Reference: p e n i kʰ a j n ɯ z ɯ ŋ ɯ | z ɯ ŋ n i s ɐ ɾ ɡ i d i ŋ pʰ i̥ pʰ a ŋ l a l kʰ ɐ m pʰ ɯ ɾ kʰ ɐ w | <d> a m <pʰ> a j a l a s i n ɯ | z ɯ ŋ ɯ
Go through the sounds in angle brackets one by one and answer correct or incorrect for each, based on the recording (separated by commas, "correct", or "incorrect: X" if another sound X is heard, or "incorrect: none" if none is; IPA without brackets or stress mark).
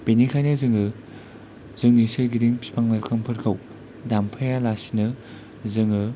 correct, correct